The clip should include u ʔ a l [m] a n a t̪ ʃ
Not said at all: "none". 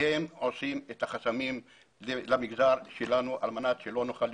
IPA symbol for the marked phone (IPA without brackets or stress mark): m